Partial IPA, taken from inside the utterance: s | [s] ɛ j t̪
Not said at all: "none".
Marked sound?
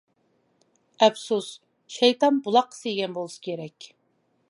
ʃ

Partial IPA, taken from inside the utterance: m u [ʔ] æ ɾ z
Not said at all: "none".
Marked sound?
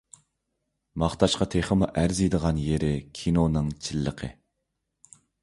ʔ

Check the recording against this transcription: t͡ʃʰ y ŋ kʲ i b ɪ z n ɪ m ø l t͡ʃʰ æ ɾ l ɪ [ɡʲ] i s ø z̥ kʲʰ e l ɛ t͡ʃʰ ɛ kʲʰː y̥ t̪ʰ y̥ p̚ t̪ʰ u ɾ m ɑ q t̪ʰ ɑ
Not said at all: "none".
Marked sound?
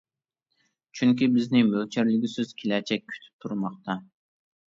ɡʲ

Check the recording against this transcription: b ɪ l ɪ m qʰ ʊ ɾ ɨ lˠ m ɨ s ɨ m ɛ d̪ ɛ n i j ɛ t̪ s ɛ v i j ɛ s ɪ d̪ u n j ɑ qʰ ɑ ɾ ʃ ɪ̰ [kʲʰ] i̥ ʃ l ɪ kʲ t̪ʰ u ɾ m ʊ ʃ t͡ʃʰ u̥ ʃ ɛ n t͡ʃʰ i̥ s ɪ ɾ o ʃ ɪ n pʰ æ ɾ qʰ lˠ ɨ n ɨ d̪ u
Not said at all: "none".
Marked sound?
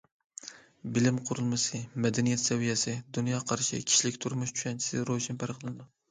kʲʰ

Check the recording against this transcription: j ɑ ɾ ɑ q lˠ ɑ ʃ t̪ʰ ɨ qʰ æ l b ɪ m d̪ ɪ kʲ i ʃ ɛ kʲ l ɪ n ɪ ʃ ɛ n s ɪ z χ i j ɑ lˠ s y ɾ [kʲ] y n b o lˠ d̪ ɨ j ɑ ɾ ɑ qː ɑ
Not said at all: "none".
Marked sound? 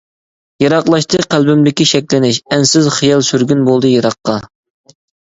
ɡʲ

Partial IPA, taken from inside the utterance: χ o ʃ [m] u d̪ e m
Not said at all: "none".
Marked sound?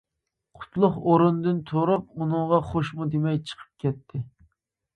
m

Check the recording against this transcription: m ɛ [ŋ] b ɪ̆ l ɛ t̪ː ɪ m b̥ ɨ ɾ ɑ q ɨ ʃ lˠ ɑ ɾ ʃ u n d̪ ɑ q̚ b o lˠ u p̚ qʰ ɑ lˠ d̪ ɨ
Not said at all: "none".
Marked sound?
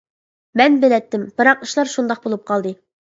n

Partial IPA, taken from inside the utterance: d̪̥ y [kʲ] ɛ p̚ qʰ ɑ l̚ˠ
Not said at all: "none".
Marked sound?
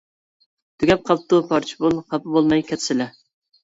ɡʲ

